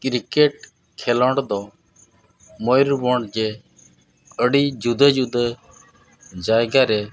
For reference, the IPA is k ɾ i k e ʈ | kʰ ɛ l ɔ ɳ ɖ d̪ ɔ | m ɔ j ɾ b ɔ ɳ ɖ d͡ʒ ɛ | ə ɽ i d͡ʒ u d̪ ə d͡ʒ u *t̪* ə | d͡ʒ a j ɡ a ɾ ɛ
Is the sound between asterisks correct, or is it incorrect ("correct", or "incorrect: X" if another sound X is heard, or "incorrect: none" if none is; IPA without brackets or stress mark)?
incorrect: d̪